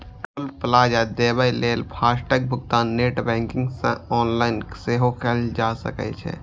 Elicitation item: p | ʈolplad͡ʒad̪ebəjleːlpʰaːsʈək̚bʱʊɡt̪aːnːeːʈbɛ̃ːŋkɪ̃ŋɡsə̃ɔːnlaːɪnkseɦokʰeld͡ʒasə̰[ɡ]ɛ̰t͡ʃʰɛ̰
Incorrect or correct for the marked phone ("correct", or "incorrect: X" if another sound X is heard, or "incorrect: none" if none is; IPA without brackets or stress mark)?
incorrect: k